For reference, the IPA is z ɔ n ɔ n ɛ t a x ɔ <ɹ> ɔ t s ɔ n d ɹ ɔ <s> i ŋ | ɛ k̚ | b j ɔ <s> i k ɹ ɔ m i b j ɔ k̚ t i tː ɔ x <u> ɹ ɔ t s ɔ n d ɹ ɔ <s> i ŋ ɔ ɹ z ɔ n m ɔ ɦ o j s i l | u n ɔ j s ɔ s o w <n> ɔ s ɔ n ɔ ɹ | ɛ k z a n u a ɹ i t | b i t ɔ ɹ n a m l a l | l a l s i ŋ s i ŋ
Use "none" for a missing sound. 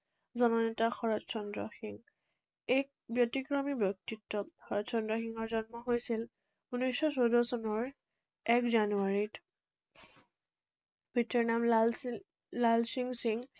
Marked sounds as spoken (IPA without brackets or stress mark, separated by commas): ɹ, x, t, ɔ, x, d